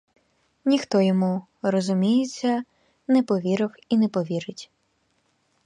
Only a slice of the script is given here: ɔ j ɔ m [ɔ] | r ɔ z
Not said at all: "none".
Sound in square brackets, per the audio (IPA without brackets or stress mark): u